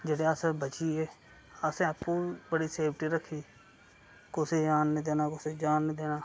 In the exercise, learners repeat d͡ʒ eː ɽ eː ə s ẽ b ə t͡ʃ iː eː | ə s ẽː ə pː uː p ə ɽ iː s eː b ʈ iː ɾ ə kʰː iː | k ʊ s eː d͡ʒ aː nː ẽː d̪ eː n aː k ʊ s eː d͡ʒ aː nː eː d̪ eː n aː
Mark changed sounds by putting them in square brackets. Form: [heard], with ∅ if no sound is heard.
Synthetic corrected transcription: d͡ʒ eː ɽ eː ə s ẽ b ə t͡ʃ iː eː | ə s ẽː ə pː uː [b] ə ɽ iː s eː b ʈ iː ɾ ə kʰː iː | k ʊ s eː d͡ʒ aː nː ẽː d̪ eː n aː k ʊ s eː d͡ʒ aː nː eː d̪ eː n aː